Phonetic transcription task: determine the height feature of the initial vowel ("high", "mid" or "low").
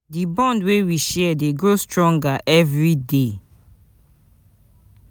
high